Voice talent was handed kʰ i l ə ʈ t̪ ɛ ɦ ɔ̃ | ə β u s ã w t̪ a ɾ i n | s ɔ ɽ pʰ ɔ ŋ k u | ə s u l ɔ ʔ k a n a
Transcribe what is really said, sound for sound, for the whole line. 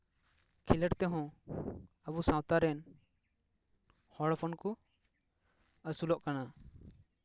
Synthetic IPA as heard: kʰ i l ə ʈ t̪ ɛ ɦ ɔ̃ | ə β u s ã w t̪ a ɾ ɛ n | h ɔ ɽ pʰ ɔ n k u | ə s u l ɔ ʔ k a n a